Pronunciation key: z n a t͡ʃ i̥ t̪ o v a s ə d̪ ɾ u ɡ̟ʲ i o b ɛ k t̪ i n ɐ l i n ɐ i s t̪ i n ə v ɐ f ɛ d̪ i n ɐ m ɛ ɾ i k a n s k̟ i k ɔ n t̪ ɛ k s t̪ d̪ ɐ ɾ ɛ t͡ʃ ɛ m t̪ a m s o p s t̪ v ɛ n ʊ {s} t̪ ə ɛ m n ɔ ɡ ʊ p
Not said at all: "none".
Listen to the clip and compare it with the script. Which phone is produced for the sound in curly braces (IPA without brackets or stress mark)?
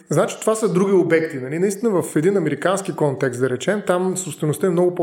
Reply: s